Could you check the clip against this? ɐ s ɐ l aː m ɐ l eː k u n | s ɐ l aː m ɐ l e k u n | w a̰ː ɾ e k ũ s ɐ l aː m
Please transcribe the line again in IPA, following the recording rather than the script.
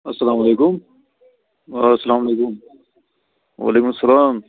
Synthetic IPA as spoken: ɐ s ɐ l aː m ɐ l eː k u m | s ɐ l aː m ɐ l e k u m | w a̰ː l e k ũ s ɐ l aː m